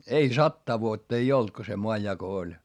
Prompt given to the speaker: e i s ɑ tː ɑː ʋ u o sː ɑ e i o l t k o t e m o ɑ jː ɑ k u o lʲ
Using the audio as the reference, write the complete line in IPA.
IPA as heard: e i s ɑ tː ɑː ʋ u o tː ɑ e i o l t k o s e m o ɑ jː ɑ k o o lʲ